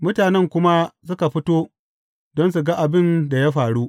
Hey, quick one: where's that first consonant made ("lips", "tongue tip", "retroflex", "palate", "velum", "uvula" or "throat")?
lips